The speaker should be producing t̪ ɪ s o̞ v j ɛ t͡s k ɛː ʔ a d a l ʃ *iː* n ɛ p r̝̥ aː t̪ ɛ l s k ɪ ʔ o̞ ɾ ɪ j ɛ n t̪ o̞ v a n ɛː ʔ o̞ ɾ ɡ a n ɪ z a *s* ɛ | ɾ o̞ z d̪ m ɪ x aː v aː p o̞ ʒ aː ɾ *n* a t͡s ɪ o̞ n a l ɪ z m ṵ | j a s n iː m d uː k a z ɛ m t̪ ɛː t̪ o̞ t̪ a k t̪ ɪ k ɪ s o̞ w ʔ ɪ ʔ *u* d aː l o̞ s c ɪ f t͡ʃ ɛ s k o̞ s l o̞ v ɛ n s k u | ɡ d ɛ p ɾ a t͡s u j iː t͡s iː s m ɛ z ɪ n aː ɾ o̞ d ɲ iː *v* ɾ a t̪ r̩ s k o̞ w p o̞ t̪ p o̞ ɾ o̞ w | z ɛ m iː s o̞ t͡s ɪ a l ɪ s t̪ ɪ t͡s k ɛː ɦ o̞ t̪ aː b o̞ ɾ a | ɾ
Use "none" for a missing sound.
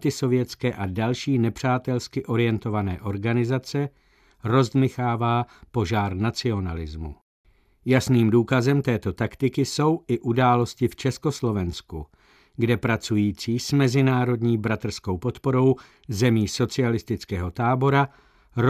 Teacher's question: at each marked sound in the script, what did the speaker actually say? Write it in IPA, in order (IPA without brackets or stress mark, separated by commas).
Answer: iː, t͡s, n, u, b